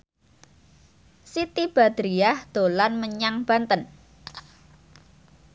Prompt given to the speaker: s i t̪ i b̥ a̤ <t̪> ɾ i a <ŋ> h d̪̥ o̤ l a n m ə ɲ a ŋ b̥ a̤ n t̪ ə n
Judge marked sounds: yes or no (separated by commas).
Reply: no, no